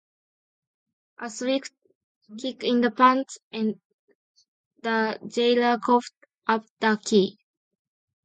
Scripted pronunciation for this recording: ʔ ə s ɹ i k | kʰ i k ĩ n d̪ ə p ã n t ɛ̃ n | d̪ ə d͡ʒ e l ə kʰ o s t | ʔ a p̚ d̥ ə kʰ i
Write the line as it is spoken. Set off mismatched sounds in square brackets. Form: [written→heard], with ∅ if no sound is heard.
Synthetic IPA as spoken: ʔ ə s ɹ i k | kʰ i k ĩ n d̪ ə p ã n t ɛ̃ n | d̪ ə d͡ʒ e l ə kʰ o [s→f] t | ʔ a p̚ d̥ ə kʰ i